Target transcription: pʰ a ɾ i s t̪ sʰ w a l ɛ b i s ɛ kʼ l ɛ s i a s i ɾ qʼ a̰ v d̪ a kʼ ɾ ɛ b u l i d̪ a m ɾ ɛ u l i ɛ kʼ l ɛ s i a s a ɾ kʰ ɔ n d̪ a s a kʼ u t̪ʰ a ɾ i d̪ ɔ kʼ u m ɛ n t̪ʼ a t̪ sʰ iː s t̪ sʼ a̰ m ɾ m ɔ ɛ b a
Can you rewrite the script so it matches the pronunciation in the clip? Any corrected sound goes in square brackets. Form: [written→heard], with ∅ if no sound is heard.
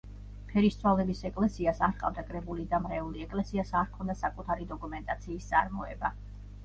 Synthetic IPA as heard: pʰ [a→ɛ] ɾ i s t̪ sʰ w a l ɛ b i s ɛ kʼ l ɛ s i a s [i→a] ɾ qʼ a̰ v d̪ a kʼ ɾ ɛ b u l i d̪ a m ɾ ɛ u l i ɛ kʼ l ɛ s i a s a ɾ kʰ ɔ n d̪ a s a kʼ u t̪ʰ a ɾ i d̪ ɔ kʼ u m ɛ n t̪ʼ a t̪ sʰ iː s t̪ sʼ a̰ [m→∅] ɾ m ɔ ɛ b a